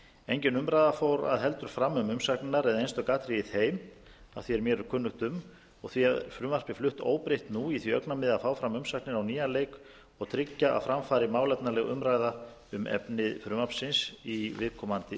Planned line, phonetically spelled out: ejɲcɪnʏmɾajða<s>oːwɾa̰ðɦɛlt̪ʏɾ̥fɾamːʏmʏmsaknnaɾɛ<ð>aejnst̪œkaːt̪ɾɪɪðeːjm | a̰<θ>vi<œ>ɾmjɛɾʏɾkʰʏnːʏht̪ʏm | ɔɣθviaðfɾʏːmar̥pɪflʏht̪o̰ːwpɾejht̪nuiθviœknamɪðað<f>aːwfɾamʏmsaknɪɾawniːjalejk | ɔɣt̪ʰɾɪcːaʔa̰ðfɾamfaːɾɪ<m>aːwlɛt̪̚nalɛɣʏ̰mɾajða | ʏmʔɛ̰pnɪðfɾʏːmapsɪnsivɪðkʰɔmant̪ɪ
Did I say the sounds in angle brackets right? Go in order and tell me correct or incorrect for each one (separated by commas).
incorrect, correct, correct, incorrect, correct, correct